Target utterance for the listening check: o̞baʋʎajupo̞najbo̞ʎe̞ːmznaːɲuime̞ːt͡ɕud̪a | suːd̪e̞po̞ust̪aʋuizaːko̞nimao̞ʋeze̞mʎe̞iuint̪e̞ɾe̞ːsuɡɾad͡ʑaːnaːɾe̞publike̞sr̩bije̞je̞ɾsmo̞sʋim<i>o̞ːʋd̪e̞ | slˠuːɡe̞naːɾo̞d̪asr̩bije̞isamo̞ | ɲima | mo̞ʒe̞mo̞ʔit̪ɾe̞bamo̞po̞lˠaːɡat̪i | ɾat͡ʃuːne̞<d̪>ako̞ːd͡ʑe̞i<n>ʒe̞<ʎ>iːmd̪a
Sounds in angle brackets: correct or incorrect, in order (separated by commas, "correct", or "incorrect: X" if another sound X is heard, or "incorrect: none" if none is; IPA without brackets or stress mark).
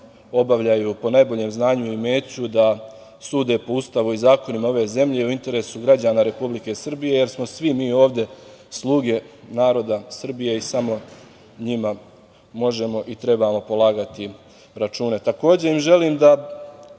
incorrect: iː, incorrect: t̪, incorrect: m, incorrect: l